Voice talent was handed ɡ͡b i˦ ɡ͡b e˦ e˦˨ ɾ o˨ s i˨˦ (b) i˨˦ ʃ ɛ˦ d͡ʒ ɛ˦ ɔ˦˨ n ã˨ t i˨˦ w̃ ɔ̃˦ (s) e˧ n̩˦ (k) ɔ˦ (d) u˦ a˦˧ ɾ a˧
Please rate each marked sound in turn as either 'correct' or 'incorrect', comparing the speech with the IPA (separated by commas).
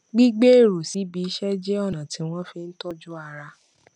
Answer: correct, incorrect, incorrect, incorrect